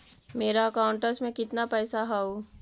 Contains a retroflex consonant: yes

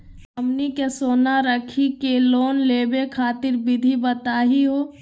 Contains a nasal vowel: no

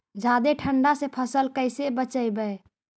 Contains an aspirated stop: yes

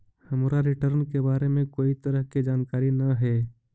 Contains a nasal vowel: yes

